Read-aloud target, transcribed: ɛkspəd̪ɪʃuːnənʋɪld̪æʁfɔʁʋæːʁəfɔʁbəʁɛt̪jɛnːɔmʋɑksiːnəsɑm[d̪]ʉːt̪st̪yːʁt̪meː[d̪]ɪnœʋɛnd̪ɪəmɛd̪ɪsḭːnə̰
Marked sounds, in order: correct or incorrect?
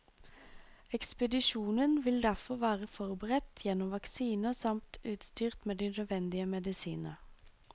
incorrect, correct

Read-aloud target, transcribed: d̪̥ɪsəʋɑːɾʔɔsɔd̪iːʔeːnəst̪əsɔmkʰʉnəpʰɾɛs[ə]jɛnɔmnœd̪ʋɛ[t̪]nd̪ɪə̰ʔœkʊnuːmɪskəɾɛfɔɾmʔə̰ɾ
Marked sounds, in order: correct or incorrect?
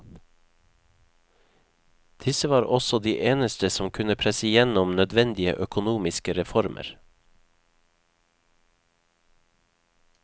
correct, incorrect

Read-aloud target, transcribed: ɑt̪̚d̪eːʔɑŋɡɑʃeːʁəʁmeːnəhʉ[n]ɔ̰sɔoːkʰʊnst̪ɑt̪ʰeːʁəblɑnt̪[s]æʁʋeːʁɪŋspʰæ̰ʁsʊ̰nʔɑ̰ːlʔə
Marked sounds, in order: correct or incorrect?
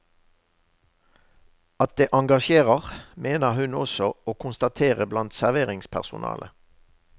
correct, correct

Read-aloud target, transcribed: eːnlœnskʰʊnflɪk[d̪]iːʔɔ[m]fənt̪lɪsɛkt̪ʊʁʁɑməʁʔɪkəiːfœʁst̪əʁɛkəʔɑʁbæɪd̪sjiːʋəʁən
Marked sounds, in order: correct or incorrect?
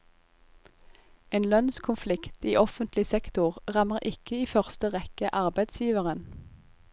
incorrect, incorrect

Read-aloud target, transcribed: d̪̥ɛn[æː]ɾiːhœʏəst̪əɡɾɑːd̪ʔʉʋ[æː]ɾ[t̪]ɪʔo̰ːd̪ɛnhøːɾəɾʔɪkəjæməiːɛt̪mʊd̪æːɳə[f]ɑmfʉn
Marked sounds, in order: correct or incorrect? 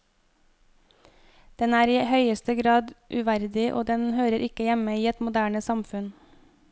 correct, incorrect, incorrect, incorrect

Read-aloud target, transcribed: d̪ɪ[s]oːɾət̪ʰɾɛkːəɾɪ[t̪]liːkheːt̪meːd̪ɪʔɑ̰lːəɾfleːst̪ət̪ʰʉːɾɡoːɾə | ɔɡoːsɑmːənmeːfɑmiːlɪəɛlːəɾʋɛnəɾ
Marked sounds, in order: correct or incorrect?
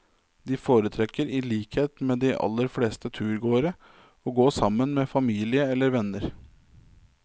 incorrect, incorrect

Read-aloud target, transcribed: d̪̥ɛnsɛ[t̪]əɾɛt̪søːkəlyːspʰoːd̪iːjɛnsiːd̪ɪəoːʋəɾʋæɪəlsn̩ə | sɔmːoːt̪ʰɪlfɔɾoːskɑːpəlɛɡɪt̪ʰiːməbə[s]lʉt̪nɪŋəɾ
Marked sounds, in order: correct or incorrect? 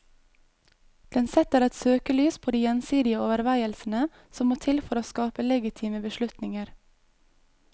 correct, incorrect

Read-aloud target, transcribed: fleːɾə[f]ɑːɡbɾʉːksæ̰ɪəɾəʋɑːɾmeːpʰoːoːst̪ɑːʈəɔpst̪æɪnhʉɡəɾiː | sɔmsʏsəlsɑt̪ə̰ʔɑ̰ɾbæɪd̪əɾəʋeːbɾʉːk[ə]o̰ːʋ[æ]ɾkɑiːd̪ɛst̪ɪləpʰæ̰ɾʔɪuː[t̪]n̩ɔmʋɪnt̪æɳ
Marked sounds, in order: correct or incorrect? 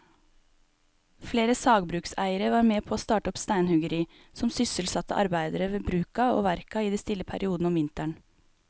incorrect, incorrect, correct, incorrect

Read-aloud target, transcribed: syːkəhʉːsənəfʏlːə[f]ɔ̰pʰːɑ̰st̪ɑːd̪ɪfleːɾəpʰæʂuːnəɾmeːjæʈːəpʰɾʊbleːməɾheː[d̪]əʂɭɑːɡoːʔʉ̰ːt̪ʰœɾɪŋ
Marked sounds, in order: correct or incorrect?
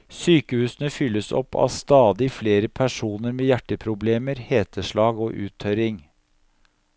incorrect, incorrect

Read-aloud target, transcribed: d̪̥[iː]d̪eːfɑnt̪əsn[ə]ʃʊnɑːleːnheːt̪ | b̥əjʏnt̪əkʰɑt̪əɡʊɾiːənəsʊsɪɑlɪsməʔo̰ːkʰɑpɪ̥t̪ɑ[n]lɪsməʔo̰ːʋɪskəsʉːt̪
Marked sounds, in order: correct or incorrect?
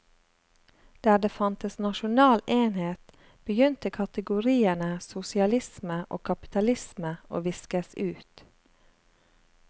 incorrect, incorrect, incorrect

